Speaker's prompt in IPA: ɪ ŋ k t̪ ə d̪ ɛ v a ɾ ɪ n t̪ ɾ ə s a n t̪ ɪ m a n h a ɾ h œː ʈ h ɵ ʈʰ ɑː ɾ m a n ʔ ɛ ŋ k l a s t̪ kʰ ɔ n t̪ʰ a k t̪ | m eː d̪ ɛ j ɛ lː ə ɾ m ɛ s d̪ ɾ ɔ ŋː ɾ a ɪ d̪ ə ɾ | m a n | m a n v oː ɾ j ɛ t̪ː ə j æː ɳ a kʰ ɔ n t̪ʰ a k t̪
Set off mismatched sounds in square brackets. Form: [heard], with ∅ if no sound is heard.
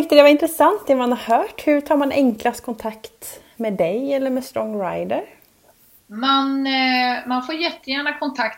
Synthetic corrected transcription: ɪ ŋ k t̪ ə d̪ ɛ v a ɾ ɪ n t̪ ɾ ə s a n t̪ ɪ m a n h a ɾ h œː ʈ h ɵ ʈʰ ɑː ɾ m a n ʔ ɛ ŋ k l a s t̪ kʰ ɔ n t̪ʰ a k t̪ | m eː d̪ ɛ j ɛ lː ə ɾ m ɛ s [t̪] ɾ ɔ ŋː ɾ a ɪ d̪ ə ɾ | m a n | m a n [f] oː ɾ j ɛ t̪ː ə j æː ɳ a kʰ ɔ n t̪ʰ a k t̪